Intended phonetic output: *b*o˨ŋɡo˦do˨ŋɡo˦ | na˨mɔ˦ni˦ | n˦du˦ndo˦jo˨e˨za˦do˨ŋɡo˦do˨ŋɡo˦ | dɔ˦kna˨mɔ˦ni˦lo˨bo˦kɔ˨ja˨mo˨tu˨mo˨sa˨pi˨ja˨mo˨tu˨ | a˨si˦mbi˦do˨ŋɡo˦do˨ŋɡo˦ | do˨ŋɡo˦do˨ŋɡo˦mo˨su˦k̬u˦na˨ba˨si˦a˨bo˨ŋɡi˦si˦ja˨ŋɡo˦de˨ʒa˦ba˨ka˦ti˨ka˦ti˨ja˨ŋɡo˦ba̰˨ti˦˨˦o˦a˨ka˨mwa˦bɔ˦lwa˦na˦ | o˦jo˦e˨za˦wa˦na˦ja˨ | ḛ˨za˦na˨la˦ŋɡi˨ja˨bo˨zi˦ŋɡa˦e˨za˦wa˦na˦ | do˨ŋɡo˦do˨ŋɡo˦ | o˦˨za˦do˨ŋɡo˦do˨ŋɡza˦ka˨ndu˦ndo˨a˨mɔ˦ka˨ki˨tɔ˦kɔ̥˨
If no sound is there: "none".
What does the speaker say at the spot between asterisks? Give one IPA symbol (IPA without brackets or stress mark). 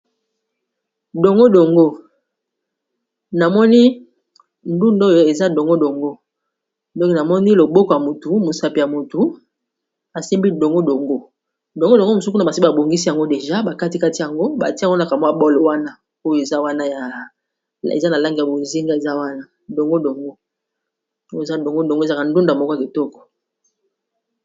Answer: d